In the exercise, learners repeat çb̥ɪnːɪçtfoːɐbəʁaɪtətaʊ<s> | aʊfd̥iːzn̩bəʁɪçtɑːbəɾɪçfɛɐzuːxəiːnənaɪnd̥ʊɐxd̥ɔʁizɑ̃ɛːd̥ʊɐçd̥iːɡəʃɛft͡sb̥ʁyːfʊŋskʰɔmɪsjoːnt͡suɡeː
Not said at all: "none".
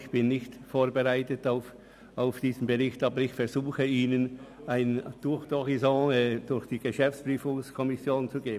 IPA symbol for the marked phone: f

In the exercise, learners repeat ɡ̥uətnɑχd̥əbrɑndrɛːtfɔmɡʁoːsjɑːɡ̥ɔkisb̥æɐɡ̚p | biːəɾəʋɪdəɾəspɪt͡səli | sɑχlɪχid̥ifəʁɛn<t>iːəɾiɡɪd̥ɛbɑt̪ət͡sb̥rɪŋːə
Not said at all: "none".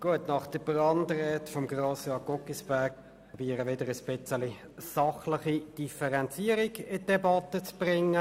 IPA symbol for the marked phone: t͡s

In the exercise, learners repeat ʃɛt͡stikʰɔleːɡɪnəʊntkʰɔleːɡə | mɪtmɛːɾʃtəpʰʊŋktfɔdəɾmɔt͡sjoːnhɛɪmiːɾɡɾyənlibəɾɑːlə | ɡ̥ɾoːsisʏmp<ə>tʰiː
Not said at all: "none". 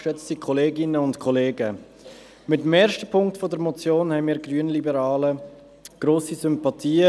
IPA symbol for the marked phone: ɑ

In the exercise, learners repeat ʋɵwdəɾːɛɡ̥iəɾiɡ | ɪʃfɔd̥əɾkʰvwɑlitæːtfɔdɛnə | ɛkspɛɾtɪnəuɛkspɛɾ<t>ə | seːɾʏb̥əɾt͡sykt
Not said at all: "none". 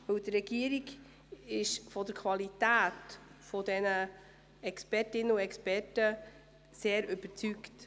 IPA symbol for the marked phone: t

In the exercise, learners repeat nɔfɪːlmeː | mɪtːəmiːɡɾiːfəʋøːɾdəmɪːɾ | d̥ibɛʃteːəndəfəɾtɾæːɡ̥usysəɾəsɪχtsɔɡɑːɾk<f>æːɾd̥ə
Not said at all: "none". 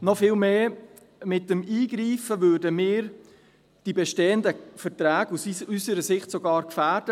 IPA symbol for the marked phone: f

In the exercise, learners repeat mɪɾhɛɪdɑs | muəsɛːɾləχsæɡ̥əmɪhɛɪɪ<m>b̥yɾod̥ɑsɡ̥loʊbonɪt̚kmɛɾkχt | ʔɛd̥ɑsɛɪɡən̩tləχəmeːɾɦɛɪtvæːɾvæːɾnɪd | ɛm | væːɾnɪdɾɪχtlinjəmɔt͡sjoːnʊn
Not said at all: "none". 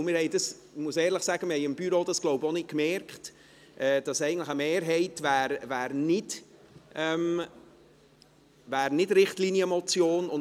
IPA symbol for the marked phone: m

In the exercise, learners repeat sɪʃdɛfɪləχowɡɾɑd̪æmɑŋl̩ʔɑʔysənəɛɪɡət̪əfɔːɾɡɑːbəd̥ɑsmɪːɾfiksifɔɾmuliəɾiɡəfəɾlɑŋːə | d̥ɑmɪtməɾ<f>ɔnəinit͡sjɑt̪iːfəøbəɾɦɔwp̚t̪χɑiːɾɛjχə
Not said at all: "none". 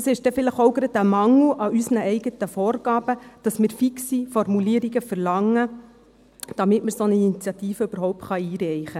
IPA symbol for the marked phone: s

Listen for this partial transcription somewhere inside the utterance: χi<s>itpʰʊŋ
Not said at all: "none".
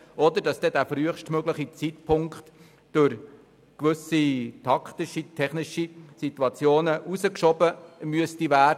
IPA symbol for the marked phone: t͡s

